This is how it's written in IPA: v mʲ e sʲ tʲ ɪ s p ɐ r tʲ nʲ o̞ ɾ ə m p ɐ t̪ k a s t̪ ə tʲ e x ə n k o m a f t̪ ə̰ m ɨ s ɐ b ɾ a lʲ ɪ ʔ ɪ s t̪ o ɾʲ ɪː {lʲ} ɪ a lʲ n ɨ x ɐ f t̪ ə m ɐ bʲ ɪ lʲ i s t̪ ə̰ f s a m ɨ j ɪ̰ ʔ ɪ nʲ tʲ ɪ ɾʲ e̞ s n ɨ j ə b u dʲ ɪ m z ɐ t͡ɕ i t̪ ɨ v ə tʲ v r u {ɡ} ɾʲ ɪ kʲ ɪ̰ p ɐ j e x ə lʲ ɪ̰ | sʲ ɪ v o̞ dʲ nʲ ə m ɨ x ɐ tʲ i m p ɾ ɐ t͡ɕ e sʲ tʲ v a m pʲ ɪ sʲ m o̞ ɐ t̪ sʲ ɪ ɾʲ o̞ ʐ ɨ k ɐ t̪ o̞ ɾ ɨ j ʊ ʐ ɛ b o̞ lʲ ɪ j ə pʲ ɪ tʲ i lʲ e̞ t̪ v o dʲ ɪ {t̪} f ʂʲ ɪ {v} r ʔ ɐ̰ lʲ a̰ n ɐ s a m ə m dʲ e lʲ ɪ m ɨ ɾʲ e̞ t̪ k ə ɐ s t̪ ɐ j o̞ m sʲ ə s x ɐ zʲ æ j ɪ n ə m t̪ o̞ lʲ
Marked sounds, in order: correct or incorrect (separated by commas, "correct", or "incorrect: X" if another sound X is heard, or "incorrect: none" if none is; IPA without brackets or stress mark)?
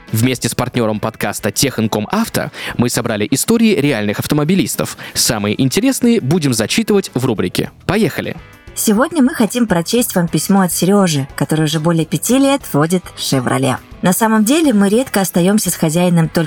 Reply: incorrect: ɾʲ, incorrect: b, correct, correct